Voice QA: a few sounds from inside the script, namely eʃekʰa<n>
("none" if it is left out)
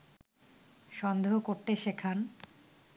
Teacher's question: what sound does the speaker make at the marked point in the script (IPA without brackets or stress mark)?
n